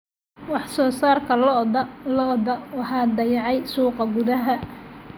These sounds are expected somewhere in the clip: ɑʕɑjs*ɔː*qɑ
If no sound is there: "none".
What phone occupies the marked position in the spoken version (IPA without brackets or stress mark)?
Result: uː